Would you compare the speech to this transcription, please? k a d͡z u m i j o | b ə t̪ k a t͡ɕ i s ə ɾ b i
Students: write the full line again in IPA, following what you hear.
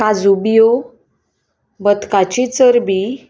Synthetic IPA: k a d͡z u b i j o | b ə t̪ k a t͡ɕ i t͡s ə ɾ b i